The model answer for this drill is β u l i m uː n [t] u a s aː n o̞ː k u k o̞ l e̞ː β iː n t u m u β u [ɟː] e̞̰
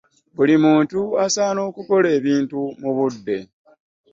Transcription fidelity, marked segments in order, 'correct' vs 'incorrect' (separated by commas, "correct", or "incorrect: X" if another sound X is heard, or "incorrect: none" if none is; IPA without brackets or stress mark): correct, incorrect: dː